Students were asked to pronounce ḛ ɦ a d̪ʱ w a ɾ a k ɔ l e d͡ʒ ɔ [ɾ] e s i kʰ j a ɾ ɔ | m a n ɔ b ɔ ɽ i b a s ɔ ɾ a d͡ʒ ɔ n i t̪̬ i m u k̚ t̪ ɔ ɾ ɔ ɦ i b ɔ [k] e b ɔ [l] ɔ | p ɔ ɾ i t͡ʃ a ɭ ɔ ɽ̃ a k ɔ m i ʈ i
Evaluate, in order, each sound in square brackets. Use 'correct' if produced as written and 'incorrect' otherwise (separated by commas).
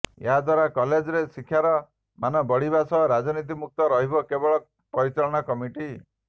correct, correct, incorrect